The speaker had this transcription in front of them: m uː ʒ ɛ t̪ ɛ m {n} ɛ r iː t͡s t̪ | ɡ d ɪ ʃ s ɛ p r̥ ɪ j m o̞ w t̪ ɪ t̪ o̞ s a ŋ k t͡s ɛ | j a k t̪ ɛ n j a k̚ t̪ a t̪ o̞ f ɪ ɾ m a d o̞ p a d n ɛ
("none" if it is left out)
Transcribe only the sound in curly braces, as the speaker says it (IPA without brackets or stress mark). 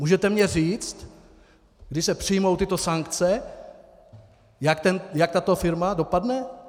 ɲ